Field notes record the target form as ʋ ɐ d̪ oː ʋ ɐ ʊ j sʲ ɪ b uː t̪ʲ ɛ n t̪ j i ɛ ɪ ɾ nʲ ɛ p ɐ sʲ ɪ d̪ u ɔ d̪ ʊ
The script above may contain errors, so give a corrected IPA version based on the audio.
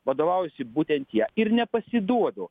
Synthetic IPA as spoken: ʋ ɐ d̪ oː ʋ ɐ ʊ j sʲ ɪ b uː t̪ʲ ɛ n t̪ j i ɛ ɪ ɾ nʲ ɛ p ɐ sʲ ɪ d̪ u ɔ d̪ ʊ